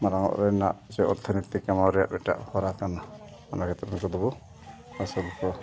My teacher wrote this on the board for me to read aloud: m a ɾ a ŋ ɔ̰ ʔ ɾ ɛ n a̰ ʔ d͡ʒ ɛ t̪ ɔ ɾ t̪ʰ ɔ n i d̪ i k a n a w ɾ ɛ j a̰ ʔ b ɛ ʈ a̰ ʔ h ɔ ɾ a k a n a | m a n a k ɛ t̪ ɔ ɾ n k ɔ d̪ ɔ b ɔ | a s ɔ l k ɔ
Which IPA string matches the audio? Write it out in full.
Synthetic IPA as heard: m a ɾ a ŋ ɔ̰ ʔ ɾ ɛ n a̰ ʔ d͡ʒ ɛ ɔ ɾ t̪ʰ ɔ n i t̪ i k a m a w ɾ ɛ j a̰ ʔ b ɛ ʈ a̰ ʔ h ɔ ɾ a k a n a | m a n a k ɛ t̪ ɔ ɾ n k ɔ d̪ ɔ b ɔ | a s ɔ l k ɔ